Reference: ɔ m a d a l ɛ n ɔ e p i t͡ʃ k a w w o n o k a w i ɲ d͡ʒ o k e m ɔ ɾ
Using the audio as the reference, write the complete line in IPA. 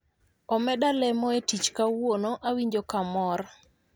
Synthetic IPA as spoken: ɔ m ɛ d a l ɛ m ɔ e t i t͡ʃ k a w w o n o ʔ a w i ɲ d͡ʒ o k a m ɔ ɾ